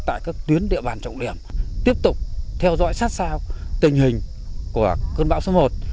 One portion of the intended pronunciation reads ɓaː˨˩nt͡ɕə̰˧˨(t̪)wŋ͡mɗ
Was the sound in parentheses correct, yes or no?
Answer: no